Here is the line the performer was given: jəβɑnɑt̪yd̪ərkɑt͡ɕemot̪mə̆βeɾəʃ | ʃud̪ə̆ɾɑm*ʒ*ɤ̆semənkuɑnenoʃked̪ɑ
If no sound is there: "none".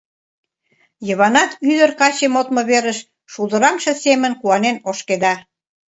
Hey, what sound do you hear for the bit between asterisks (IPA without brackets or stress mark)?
ʃ